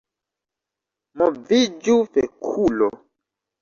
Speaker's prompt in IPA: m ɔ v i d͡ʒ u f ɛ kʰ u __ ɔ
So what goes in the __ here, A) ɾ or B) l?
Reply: B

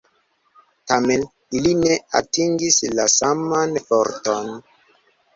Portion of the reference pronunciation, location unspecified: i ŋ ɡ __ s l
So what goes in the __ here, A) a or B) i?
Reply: B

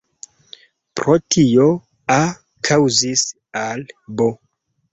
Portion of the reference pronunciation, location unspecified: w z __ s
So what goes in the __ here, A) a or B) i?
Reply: B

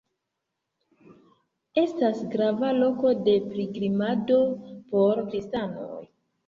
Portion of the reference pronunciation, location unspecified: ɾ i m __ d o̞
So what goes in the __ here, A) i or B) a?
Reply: B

